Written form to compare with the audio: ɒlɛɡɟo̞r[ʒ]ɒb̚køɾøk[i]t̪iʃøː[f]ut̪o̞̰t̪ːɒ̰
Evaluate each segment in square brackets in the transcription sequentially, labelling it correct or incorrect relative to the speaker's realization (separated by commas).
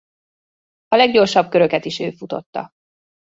incorrect, incorrect, correct